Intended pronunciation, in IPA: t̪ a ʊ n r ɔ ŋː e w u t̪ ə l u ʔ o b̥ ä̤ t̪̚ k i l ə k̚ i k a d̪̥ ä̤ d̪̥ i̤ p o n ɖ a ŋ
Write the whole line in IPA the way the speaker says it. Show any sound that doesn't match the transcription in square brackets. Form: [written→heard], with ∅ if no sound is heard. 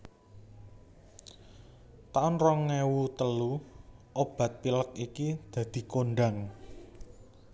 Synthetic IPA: t̪ a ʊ n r ɔ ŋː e w u t̪ ə l u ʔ o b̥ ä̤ t̪̚ [k→p] i l ə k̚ i k [a→i] d̪̥ ä̤ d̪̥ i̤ [p→k] o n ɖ a ŋ